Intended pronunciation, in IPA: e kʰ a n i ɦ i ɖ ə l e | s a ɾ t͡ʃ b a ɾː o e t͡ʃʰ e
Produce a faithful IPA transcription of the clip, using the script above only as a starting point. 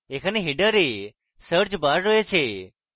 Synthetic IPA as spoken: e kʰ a n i ɦ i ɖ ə ɾ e | s ə ɾ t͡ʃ b a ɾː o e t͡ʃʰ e

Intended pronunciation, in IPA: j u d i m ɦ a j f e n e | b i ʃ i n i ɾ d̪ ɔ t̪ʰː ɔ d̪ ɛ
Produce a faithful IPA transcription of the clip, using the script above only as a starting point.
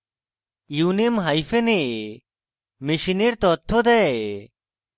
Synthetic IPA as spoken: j u n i m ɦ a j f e n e | m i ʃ i n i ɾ t̪ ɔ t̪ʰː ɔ d̪ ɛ

